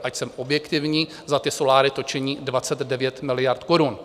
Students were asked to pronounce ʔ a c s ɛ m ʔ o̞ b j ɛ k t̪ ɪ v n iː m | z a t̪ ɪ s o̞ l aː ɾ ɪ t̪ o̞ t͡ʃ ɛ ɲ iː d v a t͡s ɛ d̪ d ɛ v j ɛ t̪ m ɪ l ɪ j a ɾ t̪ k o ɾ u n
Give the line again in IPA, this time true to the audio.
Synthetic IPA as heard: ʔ a c s ɛ m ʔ o̞ b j ɛ k t̪ ɪ v ɲ iː | z a t̪ ɪ s o̞ l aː ɾ ɪ t̪ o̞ t͡ʃ ɛ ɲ iː d v a t͡s ɛ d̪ d ɛ v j ɛ t̪ m ɪ l ɪ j a ɾ t̪ k o ɾ u n